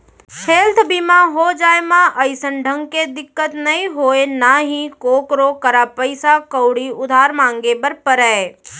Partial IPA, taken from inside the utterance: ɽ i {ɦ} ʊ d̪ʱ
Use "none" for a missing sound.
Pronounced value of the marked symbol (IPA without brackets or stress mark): none